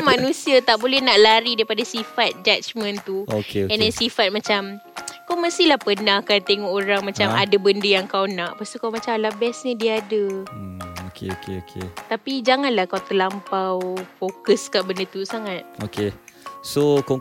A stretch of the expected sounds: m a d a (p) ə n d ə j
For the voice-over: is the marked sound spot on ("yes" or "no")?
no